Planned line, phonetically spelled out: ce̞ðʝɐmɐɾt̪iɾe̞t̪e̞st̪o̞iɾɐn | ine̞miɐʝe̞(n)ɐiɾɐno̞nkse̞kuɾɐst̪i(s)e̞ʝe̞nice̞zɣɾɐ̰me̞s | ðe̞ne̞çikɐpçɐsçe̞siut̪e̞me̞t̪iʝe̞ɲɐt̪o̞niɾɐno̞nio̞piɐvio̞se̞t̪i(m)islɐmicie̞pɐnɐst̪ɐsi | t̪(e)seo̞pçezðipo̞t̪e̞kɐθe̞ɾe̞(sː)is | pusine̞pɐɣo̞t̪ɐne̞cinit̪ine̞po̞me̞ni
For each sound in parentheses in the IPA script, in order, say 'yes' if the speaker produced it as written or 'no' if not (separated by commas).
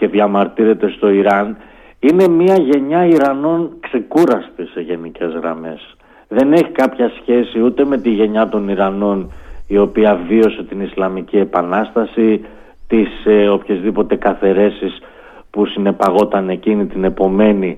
no, yes, no, no, no